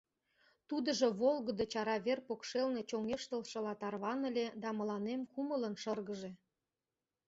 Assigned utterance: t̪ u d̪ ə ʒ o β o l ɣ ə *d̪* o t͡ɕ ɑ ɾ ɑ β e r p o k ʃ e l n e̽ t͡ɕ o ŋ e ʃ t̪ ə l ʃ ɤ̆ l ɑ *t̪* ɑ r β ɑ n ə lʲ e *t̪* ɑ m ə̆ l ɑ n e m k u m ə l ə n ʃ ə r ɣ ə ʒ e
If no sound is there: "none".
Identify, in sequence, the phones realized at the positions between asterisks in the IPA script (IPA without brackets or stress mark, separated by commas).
d̪, t̪, d̪